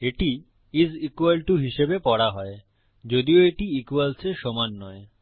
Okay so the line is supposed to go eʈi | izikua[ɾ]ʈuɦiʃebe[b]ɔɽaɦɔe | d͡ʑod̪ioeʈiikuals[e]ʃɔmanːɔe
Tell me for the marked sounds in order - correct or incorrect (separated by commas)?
incorrect, incorrect, correct